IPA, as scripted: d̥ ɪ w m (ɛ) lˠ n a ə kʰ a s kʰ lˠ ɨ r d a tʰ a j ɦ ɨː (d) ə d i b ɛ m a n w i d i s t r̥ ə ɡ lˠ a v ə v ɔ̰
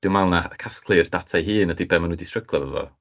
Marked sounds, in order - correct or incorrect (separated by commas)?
incorrect, incorrect